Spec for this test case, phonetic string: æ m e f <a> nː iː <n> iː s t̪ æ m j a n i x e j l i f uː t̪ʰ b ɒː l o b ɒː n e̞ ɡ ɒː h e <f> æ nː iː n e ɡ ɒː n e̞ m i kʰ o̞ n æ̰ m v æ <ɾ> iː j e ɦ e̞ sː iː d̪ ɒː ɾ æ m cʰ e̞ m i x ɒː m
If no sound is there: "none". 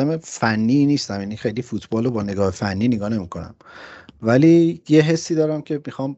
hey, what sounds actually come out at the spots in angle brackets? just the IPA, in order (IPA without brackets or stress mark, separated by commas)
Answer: æ, n, f, l